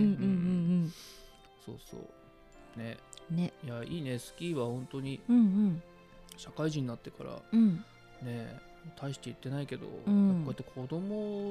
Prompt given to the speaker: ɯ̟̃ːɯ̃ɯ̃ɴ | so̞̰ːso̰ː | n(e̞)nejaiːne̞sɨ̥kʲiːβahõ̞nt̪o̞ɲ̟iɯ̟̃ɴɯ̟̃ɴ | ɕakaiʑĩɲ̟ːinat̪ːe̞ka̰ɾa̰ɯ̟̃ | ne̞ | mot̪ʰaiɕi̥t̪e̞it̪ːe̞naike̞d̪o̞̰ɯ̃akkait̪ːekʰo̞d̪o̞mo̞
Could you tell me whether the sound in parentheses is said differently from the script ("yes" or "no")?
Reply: no